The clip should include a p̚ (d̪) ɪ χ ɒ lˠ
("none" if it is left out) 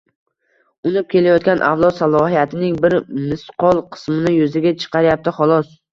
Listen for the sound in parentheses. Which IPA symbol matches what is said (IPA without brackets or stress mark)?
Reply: t̪